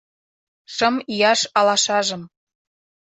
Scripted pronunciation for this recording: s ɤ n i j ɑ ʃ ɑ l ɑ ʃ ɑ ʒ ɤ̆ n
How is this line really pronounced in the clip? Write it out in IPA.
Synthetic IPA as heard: ʃ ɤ m i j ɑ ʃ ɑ l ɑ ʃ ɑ ʒ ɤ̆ m